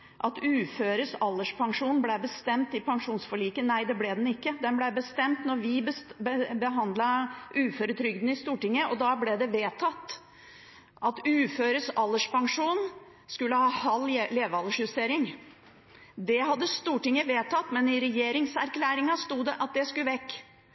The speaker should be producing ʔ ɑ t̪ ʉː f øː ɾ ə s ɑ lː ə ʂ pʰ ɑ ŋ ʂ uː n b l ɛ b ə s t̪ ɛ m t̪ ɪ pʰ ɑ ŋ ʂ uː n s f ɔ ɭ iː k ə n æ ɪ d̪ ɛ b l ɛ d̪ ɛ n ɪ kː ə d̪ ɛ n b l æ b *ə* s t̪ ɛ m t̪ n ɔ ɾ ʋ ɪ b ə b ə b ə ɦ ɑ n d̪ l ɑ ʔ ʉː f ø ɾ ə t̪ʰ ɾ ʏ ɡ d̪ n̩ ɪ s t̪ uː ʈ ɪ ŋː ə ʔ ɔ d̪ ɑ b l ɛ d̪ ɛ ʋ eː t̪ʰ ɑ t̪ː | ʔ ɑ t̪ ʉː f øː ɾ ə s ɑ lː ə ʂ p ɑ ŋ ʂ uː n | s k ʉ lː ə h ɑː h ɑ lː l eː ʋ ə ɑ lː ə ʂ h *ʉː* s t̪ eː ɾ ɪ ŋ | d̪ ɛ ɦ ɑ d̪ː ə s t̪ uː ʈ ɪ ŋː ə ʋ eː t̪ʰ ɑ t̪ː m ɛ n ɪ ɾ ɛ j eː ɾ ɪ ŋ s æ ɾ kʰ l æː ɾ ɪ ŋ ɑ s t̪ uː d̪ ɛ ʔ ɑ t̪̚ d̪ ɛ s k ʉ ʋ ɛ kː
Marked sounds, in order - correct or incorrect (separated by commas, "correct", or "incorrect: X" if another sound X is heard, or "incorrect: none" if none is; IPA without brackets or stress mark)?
correct, incorrect: ʉ